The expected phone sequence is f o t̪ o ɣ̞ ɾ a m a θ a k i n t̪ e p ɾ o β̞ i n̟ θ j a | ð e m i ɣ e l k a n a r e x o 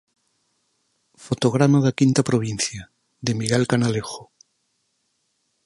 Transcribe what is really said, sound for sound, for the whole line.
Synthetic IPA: f o t̪ o ɣ̞ ɾ a m a ð a k i n t̪ a p ɾ o β̞ i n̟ θ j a | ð e m i ɣ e l k a n a l e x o